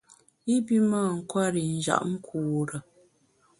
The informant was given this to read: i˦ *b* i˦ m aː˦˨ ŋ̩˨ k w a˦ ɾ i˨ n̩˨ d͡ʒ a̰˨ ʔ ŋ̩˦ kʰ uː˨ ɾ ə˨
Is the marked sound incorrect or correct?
correct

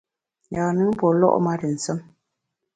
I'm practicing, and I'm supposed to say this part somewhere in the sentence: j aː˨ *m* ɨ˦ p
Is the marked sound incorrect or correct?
incorrect: n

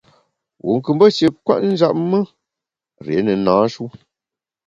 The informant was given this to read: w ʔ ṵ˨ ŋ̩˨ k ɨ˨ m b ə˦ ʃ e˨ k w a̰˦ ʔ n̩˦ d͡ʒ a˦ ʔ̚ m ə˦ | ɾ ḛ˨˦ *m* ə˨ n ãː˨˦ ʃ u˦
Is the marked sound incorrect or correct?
incorrect: n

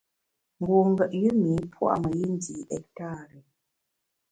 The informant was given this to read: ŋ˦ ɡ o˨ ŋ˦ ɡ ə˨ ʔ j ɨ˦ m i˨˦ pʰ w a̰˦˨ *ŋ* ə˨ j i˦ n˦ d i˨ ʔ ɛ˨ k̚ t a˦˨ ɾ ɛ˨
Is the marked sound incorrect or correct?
incorrect: m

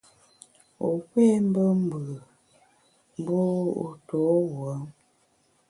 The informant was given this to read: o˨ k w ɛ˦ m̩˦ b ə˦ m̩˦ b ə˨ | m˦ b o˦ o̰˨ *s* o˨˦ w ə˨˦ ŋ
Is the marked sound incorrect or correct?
incorrect: t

